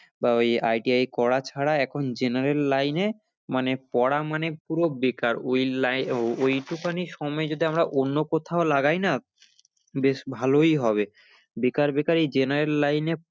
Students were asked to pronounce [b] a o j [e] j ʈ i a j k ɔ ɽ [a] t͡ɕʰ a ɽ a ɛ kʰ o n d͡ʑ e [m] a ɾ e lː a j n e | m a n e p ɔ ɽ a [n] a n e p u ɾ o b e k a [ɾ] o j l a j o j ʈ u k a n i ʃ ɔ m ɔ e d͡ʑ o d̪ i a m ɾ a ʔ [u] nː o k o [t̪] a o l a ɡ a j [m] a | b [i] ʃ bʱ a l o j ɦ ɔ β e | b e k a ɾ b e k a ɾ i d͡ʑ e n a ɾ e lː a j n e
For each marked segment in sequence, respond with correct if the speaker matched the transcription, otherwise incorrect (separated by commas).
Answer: correct, incorrect, correct, incorrect, incorrect, correct, incorrect, incorrect, incorrect, incorrect